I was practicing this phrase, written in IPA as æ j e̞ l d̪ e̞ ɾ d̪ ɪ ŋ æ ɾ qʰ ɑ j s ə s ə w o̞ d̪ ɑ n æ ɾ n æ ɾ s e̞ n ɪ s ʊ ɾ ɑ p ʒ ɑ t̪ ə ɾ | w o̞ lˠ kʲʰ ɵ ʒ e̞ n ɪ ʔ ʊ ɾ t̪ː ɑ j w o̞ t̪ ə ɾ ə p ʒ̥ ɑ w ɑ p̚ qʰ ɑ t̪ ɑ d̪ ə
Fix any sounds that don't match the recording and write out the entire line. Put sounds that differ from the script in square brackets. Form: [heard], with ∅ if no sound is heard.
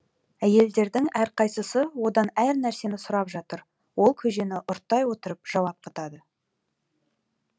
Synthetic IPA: æ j e̞ l d̪ e̞ ɾ d̪ ɪ ŋ æ ɾ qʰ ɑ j s ə s ə w o̞ d̪ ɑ n æ ɾ n æ ɾ s e̞ n ɪ s ʊ ɾ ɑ p ʒ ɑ t̪ ə ɾ | w o̞ lˠ kʲʰ ɵ ʒ e̞ n ɪ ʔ ʊ ɾ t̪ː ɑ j w o̞ t̪ ə ɾ ə p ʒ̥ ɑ w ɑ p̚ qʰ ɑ t̪ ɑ d̪ ə